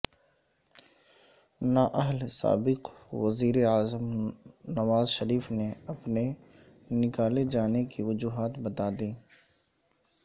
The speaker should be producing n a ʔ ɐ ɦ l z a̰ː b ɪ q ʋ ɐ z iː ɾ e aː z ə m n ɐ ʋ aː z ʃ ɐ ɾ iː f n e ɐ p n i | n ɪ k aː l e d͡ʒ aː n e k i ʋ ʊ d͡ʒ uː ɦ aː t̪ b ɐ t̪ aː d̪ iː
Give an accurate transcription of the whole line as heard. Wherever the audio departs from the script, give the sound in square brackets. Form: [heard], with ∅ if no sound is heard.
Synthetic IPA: n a ʔ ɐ ɦ l [s] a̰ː b ɪ q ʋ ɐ z iː ɾ e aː z ə m n ɐ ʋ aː z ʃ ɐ ɾ iː f n e ɐ p n [e] | n ɪ k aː l e d͡ʒ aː n e k i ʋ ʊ d͡ʒ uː ɦ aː t̪ b ɐ t̪ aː d̪ iː

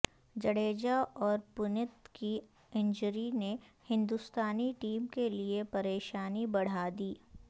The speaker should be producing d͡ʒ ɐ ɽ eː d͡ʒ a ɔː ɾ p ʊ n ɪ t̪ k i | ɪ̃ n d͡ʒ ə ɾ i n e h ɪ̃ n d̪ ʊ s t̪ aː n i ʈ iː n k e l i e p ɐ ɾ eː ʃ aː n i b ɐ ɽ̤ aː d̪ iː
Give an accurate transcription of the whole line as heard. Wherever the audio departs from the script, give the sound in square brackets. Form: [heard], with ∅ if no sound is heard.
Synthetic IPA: d͡ʒ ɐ ɽ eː d͡ʒ a ɔː ɾ p ʊ n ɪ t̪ k i | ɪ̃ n d͡ʒ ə ɾ i n e h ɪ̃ n d̪ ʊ s t̪ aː n i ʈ iː [m] k e l i e p ɐ ɾ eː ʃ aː n i b ɐ ɽ̤ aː d̪ iː

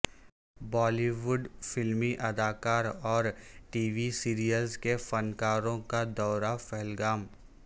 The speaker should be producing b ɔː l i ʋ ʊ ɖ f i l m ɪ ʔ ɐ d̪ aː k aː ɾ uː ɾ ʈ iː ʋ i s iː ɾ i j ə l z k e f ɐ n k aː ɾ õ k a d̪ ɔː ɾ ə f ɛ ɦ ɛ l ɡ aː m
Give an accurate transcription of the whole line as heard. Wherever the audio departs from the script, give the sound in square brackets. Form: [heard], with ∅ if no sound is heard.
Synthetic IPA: b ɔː l i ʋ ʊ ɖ f [ɪ] l m [i] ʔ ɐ d̪ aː k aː ɾ [ɔː] ɾ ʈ iː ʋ i s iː ɾ i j ə l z k e f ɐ n k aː ɾ õ k a d̪ ɔː ɾ [a] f ɛ ɦ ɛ l ɡ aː m

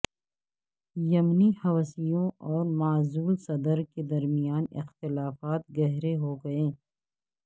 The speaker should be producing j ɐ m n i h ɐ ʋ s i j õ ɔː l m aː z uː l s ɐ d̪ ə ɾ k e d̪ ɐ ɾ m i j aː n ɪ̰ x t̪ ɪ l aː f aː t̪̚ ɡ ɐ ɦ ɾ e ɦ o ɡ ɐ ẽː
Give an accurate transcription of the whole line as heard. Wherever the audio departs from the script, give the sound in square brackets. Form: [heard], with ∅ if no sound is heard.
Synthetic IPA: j ɐ m n i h ɐ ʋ s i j õ ɔː [ɾ] m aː z uː l s ɐ d̪ ə ɾ k e d̪ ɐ ɾ m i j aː n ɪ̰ x t̪ ɪ l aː f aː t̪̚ ɡ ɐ ɦ ɾ e ɦ o ɡ ɐ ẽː

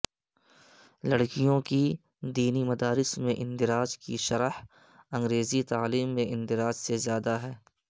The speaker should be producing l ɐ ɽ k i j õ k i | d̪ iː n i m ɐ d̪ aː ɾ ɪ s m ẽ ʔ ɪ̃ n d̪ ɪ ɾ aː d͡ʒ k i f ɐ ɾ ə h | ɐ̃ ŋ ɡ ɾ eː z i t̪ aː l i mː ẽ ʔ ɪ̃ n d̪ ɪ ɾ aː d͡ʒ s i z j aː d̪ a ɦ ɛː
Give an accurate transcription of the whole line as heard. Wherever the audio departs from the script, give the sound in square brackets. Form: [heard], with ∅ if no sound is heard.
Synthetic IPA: l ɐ ɽ k i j õ k i | d̪ iː n i m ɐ d̪ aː ɾ ɪ s m ẽ ʔ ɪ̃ n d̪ ɪ ɾ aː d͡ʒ k i [ʃ] ɐ ɾ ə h | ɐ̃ ŋ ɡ ɾ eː z i t̪ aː l [iː] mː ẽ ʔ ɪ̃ n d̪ ɪ ɾ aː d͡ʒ s [e] z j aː d̪ a ɦ ɛː

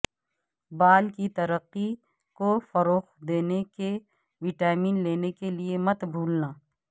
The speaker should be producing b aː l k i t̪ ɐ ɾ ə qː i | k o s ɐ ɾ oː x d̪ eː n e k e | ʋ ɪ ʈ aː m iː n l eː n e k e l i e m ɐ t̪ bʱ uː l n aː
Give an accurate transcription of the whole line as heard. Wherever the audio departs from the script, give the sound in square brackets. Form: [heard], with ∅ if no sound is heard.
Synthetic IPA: b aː l k i t̪ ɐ ɾ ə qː i | k o [f] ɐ ɾ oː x d̪ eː n e k e | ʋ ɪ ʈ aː m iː n l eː n e k e l i e m ɐ t̪ bʱ uː l n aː

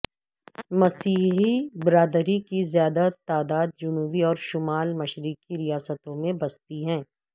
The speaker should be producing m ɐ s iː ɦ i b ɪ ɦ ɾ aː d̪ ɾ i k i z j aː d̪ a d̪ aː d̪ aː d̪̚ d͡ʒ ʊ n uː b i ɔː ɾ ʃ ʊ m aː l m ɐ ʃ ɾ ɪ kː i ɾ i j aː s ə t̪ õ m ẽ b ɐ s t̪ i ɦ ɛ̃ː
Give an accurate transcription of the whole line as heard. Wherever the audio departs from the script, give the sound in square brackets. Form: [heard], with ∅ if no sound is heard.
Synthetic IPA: m ɐ s iː ɦ i b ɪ [∅] ɾ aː d̪ ɾ i k i z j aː d̪ a [t̪] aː d̪ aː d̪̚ d͡ʒ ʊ n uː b i ɔː ɾ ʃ ʊ m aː l m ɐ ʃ ɾ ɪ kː i ɾ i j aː s ə t̪ õ m ẽ b ɐ s t̪ i ɦ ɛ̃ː

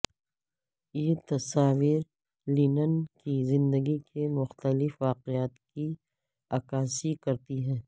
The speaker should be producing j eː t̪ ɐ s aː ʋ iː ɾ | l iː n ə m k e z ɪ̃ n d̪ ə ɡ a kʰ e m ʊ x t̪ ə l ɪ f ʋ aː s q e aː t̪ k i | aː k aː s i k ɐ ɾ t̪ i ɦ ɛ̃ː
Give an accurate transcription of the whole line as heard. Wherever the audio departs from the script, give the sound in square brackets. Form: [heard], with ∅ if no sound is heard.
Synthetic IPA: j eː t̪ ɐ s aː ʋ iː ɾ | l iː n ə [n] k [i] z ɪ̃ n d̪ ə ɡ [i] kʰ e m ʊ x t̪ ə l ɪ f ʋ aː [∅] q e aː t̪ k i | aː k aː s i k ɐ ɾ t̪ i ɦ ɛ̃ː

